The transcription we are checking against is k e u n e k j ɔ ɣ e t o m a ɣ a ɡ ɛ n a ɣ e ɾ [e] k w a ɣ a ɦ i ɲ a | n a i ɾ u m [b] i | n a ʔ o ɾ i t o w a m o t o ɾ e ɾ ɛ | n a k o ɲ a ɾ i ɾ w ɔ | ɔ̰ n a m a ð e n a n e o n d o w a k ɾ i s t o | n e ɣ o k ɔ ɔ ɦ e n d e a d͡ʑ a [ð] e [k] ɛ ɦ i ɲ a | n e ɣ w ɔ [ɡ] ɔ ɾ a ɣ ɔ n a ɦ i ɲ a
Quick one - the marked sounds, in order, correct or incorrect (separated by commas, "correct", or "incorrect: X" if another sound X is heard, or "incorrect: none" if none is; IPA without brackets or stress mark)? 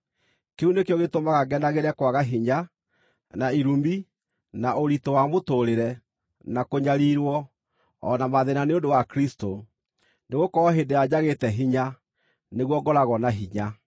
incorrect: ɛ, correct, incorrect: ɣ, incorrect: t, correct